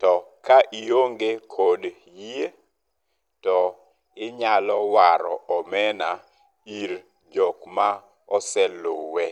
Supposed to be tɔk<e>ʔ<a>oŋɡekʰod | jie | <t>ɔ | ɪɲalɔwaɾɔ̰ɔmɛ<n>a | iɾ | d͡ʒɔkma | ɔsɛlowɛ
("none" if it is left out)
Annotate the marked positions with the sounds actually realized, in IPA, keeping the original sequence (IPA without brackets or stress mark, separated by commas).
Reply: a, i, t, n